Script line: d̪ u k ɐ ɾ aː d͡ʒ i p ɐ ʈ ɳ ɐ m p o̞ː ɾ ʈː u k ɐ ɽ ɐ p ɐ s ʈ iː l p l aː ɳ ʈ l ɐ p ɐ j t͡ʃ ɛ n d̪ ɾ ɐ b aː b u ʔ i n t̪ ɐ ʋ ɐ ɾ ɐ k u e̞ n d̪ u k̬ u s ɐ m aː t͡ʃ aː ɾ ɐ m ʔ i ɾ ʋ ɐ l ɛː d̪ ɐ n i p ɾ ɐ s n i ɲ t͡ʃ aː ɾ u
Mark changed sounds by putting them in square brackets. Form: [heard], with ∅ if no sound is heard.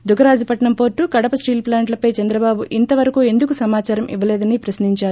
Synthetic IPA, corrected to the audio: d̪ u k ɐ ɾ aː d͡ʒ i p ɐ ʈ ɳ ɐ m p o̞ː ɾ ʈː u k ɐ ɽ ɐ p ɐ s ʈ iː l p l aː ɳ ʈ l ɐ p ɐ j t͡ʃ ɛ n d̪ ɾ ɐ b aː b u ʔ i n t̪ ɐ ʋ ɐ ɾ ɐ k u e̞ n d̪ u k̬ u s ɐ m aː t͡ʃ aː ɾ ɐ m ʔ i [∅] ʋ ɐ l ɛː d̪ ɐ n i p ɾ ɐ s n i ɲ t͡ʃ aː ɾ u